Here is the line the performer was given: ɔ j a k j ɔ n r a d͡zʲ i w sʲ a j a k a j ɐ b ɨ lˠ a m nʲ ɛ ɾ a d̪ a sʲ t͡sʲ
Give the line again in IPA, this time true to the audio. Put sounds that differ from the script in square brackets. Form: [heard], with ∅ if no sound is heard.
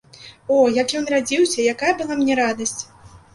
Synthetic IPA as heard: ɔ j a k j ɔ n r a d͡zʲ i w sʲ [ɐ] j a k a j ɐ b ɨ lˠ a m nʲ ɛ ɾ a d̪ [ɐ] sʲ t͡sʲ